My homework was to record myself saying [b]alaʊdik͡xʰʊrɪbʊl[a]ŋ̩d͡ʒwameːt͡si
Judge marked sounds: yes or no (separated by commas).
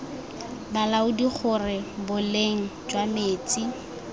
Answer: yes, no